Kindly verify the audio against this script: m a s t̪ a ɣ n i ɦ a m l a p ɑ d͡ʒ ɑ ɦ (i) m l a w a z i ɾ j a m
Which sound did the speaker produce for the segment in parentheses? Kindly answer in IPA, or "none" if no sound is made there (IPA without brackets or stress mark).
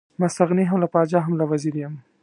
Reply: a